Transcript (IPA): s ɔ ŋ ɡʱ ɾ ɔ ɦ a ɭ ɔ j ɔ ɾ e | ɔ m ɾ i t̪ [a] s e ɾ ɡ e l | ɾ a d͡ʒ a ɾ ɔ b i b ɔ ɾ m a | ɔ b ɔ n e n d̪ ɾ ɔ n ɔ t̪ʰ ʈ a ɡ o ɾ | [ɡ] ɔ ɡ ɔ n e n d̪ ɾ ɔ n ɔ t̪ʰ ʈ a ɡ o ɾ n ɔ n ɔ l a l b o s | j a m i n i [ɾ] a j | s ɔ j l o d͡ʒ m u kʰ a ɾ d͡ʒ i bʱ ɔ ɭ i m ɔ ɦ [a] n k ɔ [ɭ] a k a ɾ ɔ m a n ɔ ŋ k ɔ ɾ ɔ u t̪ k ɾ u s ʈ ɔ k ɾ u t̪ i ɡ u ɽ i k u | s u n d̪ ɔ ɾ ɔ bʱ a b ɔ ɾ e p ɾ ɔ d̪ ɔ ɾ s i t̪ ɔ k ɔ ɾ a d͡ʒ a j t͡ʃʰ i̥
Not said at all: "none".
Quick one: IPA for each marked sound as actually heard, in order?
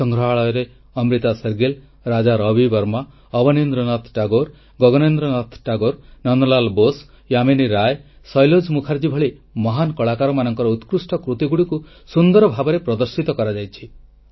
a, ɡ, ɾ, a, ɭ

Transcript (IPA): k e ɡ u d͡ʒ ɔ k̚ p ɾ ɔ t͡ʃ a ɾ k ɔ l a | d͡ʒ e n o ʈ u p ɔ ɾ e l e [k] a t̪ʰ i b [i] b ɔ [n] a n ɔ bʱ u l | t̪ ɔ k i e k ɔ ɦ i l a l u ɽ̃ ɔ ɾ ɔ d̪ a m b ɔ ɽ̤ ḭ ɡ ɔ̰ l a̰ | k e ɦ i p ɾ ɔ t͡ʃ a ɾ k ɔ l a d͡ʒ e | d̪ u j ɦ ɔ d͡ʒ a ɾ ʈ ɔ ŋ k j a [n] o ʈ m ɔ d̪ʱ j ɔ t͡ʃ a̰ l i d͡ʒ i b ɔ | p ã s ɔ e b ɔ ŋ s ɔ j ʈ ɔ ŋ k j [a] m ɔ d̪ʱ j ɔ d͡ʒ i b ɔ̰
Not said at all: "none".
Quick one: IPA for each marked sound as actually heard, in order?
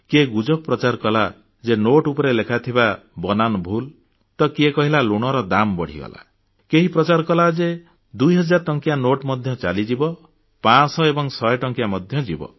kʰ, a, n, n, a

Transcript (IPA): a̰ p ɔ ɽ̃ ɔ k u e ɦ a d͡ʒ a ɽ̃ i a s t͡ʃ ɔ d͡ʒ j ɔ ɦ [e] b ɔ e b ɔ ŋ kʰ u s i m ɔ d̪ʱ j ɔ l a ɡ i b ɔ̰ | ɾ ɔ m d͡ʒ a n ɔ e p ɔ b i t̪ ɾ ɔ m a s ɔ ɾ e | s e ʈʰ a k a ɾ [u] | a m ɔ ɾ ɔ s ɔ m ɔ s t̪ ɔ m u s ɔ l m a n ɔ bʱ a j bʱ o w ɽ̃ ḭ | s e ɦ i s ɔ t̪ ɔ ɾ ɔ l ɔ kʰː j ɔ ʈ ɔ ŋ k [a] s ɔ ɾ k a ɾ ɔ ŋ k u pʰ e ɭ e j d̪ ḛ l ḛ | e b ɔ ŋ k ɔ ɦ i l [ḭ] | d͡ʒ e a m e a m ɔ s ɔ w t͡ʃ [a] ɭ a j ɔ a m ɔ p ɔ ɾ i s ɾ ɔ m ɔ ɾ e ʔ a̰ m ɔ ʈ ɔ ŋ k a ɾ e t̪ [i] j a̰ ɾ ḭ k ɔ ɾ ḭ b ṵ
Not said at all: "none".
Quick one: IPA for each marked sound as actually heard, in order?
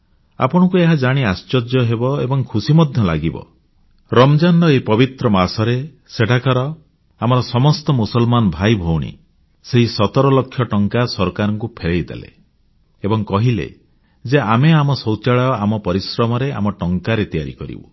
e, ɔ, a, ḛ, a, i

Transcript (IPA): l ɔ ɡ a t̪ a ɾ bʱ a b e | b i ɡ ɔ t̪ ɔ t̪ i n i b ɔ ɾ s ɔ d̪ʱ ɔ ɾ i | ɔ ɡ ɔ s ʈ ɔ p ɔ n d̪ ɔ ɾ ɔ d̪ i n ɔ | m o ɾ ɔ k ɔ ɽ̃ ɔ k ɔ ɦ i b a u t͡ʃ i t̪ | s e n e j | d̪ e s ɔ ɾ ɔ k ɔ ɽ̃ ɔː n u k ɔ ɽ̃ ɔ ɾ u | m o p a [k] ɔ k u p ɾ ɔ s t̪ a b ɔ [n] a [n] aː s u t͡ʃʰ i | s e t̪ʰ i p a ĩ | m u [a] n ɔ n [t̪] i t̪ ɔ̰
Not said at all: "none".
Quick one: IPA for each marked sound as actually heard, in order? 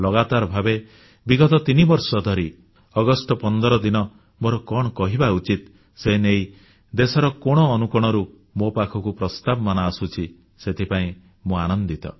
kʰ, m, n, a, d̪

